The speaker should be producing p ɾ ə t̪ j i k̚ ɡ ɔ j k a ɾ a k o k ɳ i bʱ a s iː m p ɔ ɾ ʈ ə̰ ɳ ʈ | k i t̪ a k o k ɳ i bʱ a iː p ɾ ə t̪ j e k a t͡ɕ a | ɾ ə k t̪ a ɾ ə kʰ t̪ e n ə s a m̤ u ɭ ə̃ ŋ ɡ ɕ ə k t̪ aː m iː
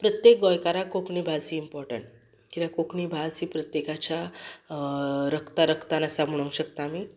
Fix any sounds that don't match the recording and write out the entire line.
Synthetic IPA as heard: p ɾ ə t̪ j e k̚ ɡ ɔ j k a ɾ a k o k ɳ i bʱ a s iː m p ɔ ɾ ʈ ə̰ ɳ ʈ | k i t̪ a k o k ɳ i bʱ a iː p ɾ ə t̪ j e k a t͡ɕ a | ɾ ə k t̪ a ɾ ə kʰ t̪ a n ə s a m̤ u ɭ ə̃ ŋ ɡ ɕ ə k t̪ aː m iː